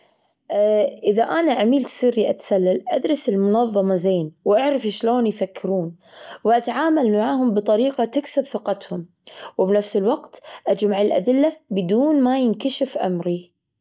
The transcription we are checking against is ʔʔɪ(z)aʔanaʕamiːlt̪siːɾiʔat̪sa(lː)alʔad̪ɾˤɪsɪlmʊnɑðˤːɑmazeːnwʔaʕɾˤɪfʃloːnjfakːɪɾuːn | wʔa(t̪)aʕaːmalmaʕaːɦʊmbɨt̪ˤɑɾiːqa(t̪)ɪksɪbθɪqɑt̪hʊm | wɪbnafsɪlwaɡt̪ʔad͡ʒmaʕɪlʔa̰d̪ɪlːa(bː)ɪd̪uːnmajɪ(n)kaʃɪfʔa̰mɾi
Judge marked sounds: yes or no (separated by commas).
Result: no, yes, yes, yes, no, yes